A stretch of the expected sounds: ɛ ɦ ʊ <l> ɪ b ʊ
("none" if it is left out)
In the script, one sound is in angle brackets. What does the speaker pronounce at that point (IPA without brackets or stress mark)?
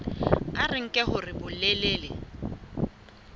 r